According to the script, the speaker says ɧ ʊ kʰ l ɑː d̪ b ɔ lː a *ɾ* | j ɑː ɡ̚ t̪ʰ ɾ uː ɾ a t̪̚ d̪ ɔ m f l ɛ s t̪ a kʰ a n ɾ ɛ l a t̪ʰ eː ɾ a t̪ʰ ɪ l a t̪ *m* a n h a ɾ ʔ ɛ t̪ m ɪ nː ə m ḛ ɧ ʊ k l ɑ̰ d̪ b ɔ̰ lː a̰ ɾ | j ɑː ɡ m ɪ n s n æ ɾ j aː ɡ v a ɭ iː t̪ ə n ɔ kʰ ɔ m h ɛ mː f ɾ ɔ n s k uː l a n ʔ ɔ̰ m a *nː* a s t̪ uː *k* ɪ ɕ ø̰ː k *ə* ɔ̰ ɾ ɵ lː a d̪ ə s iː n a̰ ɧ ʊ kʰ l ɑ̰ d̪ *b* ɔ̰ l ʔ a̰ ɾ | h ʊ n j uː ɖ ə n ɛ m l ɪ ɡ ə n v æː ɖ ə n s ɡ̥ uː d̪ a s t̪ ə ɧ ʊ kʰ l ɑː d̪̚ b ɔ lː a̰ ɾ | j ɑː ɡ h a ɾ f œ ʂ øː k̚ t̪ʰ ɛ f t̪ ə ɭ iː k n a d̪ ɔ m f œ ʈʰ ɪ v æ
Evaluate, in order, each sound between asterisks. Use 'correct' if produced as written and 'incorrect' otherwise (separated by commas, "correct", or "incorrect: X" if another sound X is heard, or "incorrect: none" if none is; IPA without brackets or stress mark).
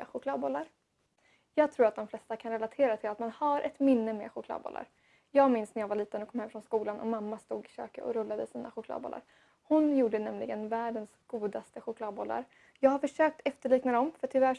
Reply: correct, correct, incorrect: mː, incorrect: ɡ, correct, correct